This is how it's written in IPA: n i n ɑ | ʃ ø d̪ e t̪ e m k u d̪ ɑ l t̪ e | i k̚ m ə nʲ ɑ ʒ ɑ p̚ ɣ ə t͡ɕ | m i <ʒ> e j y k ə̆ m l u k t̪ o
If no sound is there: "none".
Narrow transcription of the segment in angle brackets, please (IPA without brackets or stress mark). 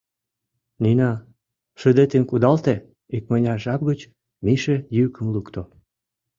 ʃ